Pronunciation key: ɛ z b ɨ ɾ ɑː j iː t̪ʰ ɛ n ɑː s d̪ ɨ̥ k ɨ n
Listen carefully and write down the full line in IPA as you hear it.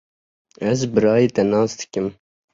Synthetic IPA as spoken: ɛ z b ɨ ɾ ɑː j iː t̪ ɛ n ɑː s d̪ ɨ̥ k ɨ m